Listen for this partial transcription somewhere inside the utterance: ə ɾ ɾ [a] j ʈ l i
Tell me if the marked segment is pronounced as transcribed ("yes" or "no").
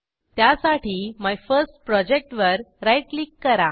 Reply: yes